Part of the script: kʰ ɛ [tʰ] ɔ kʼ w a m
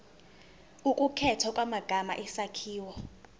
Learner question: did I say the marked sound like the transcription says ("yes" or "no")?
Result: yes